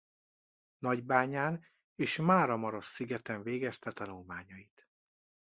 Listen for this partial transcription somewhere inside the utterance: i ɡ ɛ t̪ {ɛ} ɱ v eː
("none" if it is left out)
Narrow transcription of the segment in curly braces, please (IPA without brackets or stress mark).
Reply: ɛ